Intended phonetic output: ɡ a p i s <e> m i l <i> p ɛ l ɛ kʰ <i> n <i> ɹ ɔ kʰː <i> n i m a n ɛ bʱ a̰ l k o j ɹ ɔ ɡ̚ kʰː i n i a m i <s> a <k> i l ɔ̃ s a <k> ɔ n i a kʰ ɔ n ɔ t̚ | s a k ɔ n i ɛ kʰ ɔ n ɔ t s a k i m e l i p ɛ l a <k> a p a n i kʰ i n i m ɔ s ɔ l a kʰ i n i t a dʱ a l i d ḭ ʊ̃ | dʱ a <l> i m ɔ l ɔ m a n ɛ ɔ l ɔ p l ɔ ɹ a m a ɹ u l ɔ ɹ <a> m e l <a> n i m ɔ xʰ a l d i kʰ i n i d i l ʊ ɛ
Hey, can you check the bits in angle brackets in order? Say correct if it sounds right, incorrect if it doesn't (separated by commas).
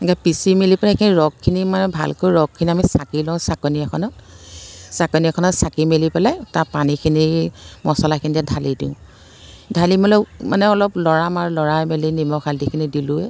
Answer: incorrect, correct, correct, correct, correct, correct, correct, correct, incorrect, correct, correct, incorrect